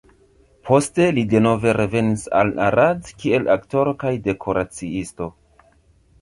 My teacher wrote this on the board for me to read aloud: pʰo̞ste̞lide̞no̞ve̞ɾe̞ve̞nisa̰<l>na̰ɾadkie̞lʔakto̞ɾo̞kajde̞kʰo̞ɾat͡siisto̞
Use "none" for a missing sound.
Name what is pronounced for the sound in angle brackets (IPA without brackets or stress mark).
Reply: l